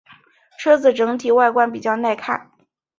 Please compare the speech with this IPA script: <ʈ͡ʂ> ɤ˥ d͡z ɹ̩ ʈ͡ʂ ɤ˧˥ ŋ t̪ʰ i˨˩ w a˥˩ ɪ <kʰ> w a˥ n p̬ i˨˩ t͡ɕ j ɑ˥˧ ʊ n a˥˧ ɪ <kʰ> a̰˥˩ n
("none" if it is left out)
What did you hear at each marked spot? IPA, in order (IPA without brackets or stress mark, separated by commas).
ʈ͡ʂʰ, k, kʰ